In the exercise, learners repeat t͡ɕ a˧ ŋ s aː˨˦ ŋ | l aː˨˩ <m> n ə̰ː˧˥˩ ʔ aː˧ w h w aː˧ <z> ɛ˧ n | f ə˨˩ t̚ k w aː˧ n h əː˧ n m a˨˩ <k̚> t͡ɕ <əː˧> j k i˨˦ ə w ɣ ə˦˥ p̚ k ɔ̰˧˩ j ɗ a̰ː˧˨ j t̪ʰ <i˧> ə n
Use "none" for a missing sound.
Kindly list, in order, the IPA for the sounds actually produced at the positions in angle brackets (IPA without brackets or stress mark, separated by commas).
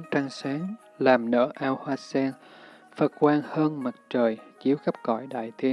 m, s, t̚, əː˨˩, i˧